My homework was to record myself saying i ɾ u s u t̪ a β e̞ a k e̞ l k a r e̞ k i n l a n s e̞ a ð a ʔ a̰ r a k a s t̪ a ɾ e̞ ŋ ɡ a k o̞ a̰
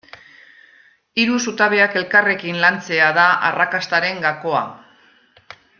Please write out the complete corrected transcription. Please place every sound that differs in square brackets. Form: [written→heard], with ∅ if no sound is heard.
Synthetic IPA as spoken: i ɾ u s u t̪ a β e̞ a k e̞ l k a r e̞ k i n l a n [s→t͡s] e̞ a ð a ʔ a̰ r a k a s t̪ a ɾ e̞ ŋ ɡ a k o̞ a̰